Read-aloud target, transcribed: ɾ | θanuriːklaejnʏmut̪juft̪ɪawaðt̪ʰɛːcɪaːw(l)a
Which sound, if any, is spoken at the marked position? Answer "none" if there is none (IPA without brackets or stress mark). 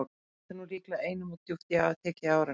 ɾ